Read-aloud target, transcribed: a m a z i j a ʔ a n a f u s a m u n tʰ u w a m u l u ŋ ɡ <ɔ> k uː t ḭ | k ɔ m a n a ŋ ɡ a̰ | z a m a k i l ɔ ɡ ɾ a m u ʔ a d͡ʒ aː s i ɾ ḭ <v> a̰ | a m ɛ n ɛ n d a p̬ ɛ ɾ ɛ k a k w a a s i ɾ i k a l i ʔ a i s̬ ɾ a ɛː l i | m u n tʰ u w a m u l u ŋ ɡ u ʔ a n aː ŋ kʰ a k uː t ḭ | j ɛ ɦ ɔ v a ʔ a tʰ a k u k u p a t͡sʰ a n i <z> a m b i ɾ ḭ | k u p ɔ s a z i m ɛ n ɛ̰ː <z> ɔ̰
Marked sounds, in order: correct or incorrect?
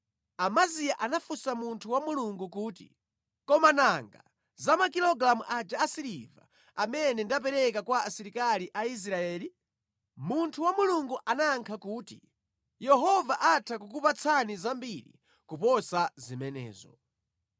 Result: incorrect, correct, correct, correct

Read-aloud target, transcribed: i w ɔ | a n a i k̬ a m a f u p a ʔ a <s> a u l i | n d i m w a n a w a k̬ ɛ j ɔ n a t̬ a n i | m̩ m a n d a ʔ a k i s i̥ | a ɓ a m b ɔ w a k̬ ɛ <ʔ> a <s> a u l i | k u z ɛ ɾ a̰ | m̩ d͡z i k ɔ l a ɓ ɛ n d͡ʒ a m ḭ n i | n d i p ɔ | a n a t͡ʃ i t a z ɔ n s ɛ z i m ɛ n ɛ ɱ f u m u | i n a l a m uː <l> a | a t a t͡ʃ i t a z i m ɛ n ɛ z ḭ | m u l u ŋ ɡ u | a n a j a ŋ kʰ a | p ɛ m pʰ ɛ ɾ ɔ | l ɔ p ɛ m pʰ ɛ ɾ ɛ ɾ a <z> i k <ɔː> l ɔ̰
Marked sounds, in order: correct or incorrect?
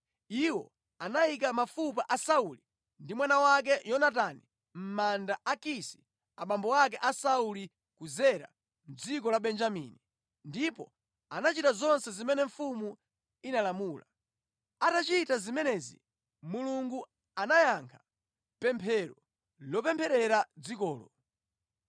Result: correct, correct, correct, correct, incorrect, correct

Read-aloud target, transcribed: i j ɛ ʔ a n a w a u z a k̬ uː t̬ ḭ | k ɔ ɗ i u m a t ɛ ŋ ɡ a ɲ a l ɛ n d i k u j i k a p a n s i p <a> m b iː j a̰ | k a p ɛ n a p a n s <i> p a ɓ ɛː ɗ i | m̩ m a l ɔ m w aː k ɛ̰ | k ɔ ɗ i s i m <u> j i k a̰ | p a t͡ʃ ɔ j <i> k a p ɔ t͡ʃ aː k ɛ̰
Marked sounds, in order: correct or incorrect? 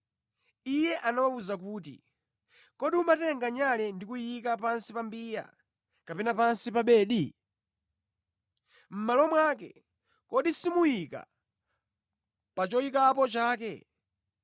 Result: correct, correct, correct, correct

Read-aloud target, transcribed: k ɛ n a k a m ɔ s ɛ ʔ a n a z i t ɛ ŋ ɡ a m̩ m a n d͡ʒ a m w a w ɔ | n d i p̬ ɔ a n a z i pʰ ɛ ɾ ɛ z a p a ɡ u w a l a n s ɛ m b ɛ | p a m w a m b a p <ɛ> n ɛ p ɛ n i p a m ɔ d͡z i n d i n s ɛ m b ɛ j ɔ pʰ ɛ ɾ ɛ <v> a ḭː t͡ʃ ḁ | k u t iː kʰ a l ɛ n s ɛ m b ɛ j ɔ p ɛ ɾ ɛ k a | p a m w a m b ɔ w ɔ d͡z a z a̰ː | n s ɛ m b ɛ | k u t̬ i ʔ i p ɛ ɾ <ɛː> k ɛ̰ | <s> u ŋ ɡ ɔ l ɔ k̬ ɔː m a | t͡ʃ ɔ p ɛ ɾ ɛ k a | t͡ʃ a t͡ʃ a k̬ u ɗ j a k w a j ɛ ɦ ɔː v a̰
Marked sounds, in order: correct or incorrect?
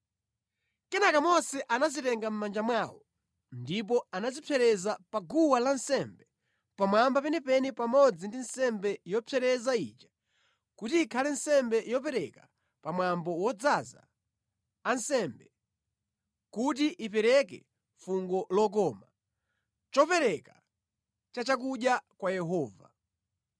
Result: correct, incorrect, incorrect, incorrect

